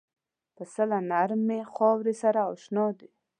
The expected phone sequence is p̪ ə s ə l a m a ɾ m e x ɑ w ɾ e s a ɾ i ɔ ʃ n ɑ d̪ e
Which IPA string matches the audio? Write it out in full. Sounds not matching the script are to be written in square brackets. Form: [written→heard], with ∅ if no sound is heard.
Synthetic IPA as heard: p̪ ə s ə l a [m→n] a ɾ m e x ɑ w ɾ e s a ɾ [i→a] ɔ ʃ n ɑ d̪ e